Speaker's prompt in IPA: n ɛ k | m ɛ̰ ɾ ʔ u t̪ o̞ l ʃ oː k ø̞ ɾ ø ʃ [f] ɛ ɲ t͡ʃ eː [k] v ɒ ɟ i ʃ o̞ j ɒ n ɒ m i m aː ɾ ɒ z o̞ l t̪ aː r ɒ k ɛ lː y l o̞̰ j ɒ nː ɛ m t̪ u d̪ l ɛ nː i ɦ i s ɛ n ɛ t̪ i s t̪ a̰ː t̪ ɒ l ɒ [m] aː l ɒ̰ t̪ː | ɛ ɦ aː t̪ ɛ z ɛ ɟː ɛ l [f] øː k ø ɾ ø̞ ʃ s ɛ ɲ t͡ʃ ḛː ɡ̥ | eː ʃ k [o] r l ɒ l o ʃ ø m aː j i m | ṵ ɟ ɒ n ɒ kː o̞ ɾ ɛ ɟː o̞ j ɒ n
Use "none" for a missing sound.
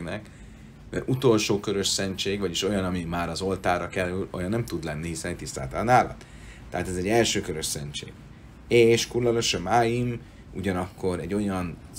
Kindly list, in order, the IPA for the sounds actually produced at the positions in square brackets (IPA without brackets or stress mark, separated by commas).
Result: s, ɡ, n, ʃ, u